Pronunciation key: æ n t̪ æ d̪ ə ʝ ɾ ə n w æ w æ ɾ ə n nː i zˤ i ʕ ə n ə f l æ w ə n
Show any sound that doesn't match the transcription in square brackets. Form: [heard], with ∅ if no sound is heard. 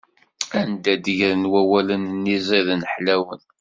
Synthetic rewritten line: æ n [d̪] æ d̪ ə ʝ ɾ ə n w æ w æ [l] ə n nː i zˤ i [ð] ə n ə [ħ] l æ w ə n

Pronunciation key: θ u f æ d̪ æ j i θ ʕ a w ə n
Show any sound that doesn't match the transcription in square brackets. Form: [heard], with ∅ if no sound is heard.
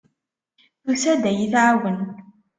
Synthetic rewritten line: θ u [s] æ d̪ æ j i θ ʕ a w ə n

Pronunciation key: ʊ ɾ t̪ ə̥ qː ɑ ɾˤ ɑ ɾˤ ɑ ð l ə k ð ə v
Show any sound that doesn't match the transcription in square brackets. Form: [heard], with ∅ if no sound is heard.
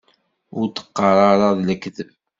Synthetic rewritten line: ʊ ɾ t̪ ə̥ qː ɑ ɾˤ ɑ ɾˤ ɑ ð l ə k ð ə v

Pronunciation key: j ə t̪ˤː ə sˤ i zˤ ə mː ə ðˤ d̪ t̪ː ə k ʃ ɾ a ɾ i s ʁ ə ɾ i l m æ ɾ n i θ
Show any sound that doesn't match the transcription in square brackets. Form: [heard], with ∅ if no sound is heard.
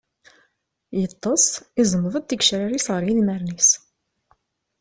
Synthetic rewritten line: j ə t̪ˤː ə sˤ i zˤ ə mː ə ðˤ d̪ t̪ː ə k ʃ ɾ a ɾ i s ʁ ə ɾ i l m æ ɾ n i [s]

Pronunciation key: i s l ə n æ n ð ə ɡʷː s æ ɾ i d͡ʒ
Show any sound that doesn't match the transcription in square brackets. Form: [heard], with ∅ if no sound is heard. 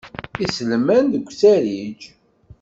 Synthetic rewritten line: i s l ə [m] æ n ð ə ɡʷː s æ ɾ i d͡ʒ

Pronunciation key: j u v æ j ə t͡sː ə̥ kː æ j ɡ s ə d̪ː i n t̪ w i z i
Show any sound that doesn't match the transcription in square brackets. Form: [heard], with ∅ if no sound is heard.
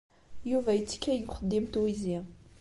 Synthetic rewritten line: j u v æ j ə t͡sː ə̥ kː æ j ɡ [χ] ə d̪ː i [m] t̪ w i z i

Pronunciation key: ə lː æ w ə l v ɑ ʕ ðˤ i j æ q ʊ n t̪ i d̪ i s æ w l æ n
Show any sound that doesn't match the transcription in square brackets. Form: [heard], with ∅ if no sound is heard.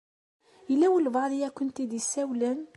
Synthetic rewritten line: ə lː æ w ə l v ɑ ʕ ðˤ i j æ [k] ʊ n t̪ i d̪ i s æ w l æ n

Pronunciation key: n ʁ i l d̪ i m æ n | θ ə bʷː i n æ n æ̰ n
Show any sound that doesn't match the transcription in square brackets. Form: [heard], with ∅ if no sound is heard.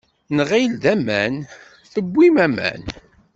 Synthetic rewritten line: n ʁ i l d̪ [æ] m æ n | θ ə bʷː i [m] æ [m] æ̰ n

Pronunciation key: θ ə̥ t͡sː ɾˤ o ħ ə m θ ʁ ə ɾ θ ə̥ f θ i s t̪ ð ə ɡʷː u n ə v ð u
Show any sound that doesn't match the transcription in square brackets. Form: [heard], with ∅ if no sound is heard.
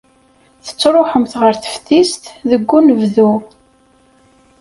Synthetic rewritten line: θ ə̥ t͡sː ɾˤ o ħ ə m θ ʁ ə ɾ θ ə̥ f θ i s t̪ ð ə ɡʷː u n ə v ð u

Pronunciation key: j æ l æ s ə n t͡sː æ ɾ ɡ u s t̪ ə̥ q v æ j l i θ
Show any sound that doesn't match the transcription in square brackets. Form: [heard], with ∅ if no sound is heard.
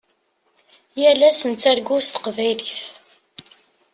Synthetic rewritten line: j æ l æ s ə n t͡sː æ ɾ ɡ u s t̪ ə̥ q v æ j l i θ

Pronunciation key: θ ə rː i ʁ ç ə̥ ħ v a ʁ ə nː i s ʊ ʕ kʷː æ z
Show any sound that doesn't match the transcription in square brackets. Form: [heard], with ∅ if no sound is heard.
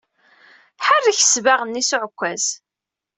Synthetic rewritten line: [ħ] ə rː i [∅] ç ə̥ [s] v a ʁ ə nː i s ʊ ʕ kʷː æ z

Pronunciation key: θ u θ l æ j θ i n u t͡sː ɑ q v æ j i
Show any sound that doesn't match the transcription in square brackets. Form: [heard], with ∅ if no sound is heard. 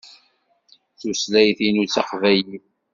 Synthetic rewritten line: θ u [s] l æ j θ i n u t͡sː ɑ q v æ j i

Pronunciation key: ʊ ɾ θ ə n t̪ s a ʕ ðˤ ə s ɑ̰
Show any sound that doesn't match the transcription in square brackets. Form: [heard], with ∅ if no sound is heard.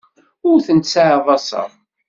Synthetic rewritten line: ʊ ɾ θ ə n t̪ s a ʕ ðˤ [ɑ] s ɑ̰

